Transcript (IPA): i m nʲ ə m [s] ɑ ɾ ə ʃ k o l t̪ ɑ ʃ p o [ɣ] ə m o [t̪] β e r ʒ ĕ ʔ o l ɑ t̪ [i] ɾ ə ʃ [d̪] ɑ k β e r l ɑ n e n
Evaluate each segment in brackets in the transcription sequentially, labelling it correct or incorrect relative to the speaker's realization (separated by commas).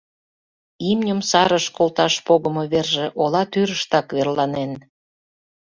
correct, correct, incorrect, incorrect, incorrect